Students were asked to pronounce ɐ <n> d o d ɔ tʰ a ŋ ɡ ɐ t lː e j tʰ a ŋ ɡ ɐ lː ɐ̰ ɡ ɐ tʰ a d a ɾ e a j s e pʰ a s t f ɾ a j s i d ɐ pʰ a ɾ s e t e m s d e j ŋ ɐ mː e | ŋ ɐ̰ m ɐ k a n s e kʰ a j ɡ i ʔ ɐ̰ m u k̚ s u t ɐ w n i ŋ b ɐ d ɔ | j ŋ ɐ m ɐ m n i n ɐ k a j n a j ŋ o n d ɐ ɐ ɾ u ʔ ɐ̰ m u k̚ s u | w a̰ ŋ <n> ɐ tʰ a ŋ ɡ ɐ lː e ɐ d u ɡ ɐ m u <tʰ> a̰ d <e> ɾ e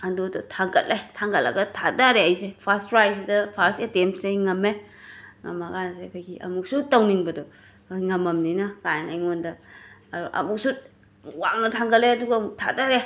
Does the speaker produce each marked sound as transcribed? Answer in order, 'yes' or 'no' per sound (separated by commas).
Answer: yes, yes, yes, no